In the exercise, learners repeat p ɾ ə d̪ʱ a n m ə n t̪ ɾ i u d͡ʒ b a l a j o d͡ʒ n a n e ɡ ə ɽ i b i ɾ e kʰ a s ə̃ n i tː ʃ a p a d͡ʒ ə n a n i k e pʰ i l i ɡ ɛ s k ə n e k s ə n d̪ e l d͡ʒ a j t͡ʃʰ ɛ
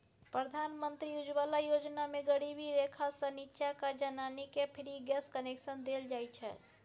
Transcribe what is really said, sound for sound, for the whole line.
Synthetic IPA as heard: p ɾ ə d̪ʱ a n m ə n t̪ ɾ i u d͡ʒ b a l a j o d͡ʒ n a m e ɡ ə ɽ i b i ɾ e kʰ a s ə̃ n i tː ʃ a k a d͡ʒ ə n a n i k e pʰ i ɾ i ɡ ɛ s k ə n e k s ə n d̪ e l d͡ʒ a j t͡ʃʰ ɛ